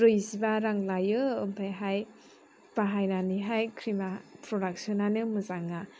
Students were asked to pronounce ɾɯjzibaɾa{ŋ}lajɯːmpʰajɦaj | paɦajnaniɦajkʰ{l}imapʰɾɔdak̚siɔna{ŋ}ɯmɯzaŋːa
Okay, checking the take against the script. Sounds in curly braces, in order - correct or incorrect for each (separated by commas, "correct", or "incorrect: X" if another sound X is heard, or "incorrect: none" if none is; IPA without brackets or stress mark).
correct, incorrect: ɾ, incorrect: n